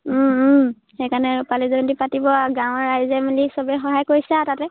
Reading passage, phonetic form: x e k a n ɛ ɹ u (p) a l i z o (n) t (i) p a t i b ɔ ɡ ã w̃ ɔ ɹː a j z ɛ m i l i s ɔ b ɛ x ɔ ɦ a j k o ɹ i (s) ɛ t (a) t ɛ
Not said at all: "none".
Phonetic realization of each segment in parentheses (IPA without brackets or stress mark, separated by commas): p, n, i, s, a